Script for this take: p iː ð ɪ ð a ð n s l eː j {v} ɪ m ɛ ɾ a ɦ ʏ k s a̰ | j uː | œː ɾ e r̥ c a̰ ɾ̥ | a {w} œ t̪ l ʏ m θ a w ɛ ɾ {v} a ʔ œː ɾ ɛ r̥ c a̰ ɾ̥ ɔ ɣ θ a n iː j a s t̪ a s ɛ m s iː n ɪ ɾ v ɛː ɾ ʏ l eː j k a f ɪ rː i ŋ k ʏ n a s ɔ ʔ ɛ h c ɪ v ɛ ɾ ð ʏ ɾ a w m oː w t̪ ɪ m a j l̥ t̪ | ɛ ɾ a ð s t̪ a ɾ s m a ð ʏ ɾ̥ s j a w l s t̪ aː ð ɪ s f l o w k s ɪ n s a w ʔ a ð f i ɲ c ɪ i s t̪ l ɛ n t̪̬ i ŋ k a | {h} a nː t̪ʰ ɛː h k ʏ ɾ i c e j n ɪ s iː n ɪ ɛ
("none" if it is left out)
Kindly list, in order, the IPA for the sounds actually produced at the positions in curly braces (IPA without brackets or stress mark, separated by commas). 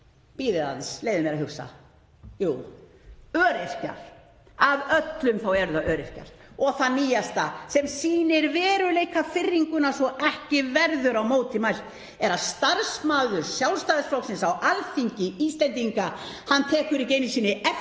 ð, v, ð, h